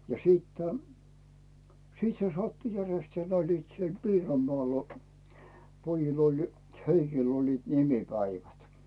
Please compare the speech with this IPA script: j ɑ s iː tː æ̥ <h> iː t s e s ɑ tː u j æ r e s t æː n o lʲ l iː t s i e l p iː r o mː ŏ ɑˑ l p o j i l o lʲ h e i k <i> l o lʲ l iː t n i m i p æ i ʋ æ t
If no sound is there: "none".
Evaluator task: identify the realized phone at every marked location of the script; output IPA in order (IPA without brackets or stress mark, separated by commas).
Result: s, i